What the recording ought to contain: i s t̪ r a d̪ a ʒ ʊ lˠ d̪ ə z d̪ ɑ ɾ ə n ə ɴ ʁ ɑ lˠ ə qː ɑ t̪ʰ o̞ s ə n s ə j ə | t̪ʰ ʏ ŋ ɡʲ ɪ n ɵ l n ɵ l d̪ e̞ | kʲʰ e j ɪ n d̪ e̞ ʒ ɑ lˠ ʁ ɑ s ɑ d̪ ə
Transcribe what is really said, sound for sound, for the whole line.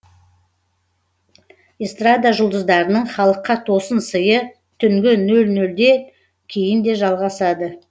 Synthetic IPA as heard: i s t̪ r a d̪ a ʒ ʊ lˠ d̪ ə z d̪ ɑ ɾ ə n ə ɴ χ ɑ lˠ ə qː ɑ t̪ʰ o̞ s ə n s ə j ə | t̪ʰ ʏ ŋ ɡʲ ɪ n ɵ l n ɵ l d̪ e̞ | kʲʰ e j ɪ n d̪ e̞ ʒ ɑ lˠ ʁ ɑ s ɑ d̪ ə